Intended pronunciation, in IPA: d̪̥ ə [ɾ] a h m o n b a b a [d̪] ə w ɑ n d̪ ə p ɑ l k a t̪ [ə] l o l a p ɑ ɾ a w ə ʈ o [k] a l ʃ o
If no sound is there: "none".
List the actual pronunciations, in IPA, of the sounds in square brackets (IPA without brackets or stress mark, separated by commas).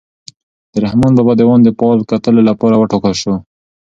ɾ, d̪, ə, k